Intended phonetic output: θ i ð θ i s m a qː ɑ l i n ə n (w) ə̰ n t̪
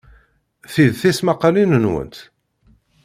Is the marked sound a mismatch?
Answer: no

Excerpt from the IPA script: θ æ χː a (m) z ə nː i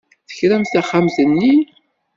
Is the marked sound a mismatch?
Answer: no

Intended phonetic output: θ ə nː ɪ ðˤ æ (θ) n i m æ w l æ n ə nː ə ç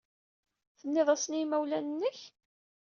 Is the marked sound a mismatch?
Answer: yes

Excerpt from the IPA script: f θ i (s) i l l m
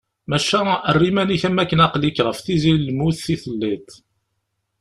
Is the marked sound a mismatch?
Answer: yes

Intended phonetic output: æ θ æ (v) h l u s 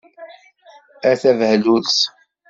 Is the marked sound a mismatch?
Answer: no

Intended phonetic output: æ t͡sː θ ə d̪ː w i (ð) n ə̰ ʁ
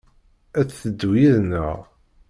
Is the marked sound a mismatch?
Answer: no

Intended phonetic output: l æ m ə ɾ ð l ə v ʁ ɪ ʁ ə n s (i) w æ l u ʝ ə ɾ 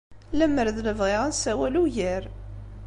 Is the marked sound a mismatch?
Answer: yes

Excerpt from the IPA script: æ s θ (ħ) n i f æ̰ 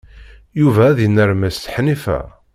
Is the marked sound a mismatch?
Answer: no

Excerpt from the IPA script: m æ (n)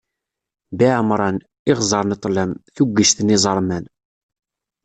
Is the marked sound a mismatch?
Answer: no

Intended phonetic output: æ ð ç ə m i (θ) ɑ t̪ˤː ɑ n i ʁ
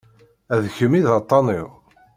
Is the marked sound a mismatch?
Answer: yes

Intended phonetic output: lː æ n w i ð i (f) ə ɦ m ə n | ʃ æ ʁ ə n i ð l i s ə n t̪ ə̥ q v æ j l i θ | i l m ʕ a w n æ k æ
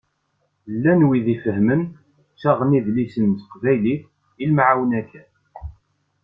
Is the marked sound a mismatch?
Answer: no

